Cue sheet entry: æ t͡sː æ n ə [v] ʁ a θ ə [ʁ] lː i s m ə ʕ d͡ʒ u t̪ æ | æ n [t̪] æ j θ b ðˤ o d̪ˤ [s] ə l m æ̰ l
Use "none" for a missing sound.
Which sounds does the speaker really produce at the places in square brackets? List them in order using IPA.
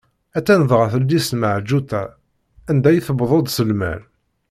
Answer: ð, none, d̪, s

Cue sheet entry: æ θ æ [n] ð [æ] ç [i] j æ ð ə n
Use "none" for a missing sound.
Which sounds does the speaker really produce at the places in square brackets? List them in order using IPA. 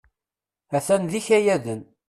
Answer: n, i, æ

